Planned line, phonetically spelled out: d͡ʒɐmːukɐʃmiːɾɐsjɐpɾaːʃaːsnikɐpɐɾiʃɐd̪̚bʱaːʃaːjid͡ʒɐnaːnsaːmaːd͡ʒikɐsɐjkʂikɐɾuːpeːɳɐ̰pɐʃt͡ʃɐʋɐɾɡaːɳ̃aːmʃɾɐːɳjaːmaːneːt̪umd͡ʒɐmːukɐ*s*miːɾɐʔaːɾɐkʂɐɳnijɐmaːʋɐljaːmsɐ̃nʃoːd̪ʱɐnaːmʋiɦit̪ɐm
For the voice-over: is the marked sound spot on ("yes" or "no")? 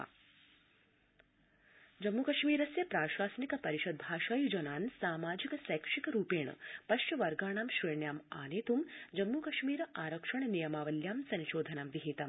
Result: no